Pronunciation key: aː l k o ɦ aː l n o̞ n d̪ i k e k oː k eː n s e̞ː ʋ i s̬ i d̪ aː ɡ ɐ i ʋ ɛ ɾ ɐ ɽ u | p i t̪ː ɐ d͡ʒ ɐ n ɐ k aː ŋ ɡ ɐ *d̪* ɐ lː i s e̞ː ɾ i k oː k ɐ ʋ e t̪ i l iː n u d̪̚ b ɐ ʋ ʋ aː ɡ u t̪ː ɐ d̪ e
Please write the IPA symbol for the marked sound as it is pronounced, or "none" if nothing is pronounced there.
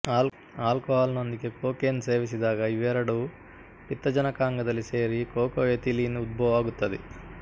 d̪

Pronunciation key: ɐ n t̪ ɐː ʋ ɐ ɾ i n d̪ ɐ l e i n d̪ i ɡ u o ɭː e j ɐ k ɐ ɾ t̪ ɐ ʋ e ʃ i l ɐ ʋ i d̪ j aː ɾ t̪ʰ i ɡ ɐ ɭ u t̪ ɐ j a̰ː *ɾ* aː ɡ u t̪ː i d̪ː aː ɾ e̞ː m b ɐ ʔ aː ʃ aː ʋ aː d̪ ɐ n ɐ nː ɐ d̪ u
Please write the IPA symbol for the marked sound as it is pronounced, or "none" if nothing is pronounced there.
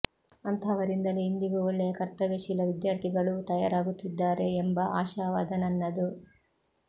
ɾ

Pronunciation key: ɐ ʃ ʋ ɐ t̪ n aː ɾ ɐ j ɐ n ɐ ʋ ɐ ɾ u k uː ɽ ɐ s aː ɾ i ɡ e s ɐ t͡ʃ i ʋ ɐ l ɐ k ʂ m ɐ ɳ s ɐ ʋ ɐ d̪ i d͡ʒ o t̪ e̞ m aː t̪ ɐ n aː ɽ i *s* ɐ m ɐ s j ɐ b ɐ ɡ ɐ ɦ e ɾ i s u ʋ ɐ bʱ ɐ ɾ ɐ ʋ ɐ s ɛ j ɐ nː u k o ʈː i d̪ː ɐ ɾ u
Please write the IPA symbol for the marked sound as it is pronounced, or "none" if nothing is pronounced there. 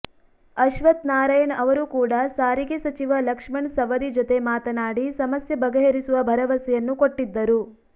s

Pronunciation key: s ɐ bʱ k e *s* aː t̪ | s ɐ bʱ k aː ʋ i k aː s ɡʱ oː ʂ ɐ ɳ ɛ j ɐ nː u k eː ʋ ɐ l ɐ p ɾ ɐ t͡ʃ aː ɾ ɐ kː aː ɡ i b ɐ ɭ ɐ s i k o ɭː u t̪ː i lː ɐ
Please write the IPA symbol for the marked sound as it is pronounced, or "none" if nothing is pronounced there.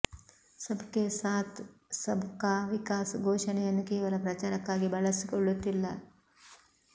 s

